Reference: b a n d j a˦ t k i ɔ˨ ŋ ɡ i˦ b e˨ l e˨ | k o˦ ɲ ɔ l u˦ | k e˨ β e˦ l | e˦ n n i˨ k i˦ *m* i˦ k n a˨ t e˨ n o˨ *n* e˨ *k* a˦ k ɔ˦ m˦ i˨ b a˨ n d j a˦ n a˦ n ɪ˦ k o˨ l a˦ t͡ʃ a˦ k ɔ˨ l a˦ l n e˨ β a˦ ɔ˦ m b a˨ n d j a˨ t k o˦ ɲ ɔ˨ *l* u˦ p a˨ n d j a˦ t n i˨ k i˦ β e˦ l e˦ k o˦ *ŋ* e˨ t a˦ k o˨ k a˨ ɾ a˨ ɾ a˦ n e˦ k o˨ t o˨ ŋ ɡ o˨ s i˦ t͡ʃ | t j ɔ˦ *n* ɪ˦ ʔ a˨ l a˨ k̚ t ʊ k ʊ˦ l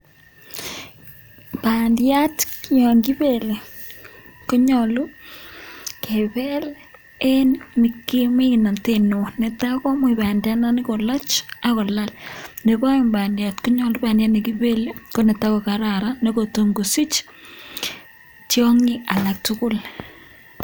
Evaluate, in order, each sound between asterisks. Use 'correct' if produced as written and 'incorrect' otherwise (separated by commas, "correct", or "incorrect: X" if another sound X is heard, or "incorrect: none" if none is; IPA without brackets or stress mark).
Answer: correct, correct, incorrect: t, correct, incorrect: n, incorrect: ŋ